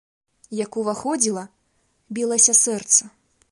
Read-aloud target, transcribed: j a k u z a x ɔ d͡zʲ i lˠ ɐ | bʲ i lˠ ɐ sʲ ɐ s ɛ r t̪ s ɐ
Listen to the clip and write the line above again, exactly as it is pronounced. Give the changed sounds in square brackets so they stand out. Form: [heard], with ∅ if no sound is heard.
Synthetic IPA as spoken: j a k u [v] a x ɔ d͡zʲ i lˠ ɐ | bʲ i lˠ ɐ sʲ ɐ s ɛ r t̪ s ɐ